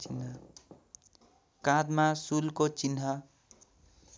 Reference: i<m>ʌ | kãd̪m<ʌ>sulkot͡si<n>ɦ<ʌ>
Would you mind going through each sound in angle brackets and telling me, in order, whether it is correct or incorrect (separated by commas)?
incorrect, incorrect, correct, correct